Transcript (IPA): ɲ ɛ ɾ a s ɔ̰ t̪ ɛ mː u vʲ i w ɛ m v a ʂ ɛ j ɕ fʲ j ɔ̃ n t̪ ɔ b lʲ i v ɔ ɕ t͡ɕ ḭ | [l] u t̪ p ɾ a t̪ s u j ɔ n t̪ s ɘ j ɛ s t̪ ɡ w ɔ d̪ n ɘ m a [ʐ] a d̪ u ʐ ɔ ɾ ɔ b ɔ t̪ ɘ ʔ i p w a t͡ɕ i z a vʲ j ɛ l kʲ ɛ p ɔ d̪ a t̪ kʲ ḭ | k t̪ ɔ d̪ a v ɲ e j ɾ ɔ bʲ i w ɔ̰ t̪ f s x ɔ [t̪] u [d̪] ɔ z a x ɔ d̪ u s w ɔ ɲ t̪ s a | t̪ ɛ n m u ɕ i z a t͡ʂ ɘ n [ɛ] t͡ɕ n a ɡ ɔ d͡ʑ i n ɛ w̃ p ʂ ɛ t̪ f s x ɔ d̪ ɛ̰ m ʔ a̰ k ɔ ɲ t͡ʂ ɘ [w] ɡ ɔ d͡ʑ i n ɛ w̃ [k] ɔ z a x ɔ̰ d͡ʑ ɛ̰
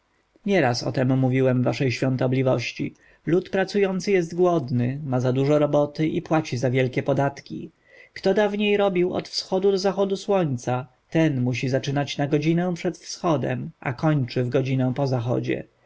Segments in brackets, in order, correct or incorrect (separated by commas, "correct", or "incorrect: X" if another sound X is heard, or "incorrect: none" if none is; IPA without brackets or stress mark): correct, incorrect: z, incorrect: d̪, correct, incorrect: a, incorrect: v, incorrect: p